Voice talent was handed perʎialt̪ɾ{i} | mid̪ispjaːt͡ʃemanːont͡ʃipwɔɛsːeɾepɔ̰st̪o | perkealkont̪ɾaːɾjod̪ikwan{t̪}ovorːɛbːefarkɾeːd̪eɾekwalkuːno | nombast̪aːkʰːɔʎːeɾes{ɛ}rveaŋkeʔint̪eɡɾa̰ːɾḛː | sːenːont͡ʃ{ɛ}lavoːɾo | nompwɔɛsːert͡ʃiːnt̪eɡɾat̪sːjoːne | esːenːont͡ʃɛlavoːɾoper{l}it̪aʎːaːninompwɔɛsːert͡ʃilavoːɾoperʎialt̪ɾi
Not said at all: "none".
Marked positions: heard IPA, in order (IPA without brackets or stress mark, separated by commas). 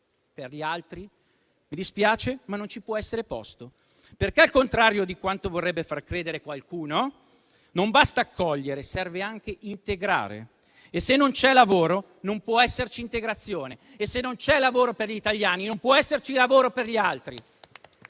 i, t̪, ɛ, ɛ, ʎ